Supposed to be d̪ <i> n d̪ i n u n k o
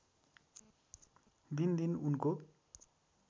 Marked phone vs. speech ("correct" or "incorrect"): correct